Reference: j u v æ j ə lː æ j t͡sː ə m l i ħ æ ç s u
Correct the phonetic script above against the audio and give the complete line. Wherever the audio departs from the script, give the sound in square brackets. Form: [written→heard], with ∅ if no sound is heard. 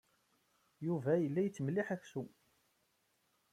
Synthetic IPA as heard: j u v æ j ə lː æ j t͡sː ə m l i ħ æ ç s u